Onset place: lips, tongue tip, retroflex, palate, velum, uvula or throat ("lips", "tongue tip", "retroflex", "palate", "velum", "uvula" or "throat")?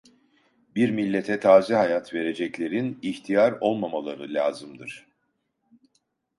lips